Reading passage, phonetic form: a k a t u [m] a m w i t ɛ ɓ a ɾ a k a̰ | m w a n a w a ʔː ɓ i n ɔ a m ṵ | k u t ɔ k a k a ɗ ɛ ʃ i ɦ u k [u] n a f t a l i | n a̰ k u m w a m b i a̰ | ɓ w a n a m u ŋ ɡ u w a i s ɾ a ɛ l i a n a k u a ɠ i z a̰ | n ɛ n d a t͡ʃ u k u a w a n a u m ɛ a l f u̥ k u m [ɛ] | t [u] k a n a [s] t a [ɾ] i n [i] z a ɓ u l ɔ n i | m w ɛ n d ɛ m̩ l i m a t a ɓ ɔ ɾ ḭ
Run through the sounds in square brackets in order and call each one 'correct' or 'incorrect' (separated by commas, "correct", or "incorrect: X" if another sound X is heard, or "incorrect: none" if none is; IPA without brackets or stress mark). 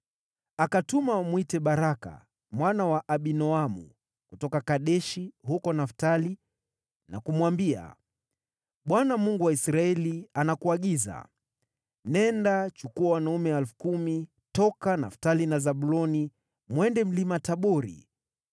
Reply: correct, incorrect: ɔ, incorrect: i, incorrect: ɔ, incorrect: f, incorrect: l, incorrect: a